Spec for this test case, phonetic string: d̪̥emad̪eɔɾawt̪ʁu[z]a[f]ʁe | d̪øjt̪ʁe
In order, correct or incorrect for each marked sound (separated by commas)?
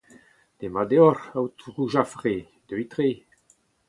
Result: incorrect, correct